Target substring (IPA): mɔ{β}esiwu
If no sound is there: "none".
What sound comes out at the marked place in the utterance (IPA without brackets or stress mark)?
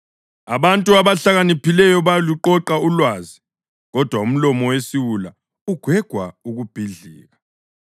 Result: w